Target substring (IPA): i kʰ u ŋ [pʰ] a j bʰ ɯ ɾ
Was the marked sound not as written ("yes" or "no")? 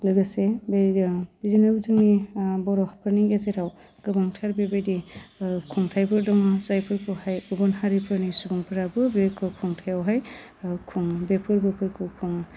yes